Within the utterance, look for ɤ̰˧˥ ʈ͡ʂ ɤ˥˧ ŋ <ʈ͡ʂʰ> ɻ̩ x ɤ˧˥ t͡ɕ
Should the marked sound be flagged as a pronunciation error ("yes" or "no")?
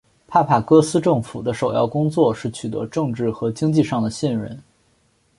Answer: yes